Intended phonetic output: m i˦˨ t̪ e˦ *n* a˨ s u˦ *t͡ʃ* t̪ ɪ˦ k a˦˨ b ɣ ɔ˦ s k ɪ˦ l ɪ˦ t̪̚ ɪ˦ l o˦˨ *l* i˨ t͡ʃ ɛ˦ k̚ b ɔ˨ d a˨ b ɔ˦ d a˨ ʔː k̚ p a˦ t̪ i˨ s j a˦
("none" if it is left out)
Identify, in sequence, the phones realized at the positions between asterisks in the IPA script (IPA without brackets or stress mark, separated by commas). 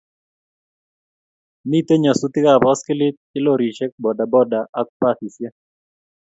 ɲ, none, ɾ